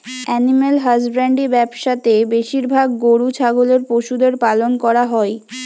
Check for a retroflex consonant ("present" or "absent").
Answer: present